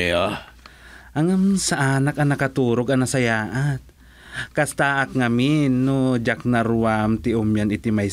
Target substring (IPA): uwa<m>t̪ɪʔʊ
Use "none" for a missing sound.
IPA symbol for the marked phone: m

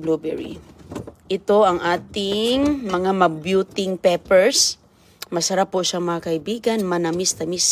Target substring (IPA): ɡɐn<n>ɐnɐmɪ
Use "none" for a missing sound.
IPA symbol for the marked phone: m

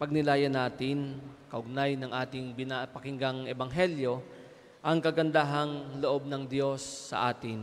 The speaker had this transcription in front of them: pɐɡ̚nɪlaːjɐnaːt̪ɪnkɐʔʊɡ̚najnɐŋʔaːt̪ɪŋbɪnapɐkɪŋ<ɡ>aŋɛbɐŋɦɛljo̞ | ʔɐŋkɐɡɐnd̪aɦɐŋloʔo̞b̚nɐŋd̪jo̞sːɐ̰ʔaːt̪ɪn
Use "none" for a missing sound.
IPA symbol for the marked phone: ɡ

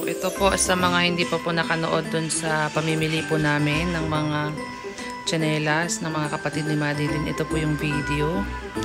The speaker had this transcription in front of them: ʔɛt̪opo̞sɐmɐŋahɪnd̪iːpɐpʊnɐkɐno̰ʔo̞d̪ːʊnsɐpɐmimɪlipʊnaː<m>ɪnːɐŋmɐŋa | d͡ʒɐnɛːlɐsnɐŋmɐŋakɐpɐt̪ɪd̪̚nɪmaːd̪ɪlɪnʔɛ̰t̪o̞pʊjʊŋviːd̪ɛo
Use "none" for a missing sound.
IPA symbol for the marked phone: m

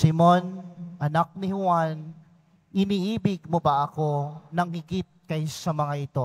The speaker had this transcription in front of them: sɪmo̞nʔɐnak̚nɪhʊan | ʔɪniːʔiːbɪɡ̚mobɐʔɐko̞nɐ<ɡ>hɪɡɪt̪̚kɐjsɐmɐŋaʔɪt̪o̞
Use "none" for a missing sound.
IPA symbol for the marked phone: ŋ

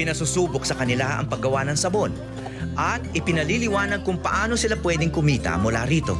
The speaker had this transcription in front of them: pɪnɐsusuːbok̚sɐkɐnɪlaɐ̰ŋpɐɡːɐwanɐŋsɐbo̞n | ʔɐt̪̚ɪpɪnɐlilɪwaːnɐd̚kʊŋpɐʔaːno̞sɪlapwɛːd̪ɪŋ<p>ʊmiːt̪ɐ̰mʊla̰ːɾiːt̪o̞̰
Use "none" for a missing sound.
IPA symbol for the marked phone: k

